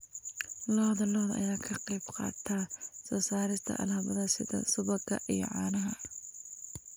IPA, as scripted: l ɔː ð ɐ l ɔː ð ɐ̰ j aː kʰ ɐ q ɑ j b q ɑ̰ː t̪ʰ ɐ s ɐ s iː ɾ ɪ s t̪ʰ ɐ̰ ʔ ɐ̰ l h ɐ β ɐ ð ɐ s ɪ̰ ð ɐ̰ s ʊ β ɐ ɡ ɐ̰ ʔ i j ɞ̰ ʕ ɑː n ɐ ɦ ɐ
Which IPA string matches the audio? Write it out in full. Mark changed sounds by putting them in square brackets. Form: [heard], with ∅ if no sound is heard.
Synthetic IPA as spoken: l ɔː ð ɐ l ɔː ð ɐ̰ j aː kʰ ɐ q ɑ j b q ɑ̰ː t̪ʰ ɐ s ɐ s [aː] ɾ ɪ s t̪ʰ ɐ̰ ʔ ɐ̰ l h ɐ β ɐ ð ɐ s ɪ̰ ð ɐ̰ s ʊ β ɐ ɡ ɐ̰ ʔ i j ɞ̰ ʕ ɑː n ɐ ɦ ɐ